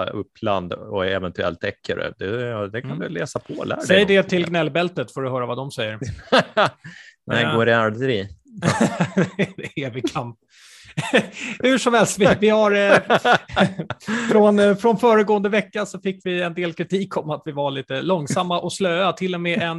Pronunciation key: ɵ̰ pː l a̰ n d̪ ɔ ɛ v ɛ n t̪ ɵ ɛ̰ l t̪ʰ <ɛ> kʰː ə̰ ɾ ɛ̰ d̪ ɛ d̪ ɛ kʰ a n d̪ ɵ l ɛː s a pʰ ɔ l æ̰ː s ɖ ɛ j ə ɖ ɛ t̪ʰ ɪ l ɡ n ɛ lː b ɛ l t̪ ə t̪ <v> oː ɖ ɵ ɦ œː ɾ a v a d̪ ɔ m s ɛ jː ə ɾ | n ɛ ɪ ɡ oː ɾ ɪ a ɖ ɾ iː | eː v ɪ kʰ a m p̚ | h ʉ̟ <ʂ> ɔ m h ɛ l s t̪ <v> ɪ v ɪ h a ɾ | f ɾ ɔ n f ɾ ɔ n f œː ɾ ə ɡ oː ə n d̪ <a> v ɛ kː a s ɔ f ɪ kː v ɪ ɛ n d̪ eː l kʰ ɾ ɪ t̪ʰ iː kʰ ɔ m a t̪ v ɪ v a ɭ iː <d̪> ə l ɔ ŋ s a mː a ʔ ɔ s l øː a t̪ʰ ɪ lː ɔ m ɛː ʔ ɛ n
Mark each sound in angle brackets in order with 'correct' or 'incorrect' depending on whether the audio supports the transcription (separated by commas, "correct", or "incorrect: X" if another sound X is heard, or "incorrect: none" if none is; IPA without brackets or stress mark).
correct, incorrect: f, correct, correct, incorrect: ə, incorrect: t̪